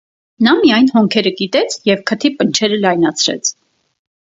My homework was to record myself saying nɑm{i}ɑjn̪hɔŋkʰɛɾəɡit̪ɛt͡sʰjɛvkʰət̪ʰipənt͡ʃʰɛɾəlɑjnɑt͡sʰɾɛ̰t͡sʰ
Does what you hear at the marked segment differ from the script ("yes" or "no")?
no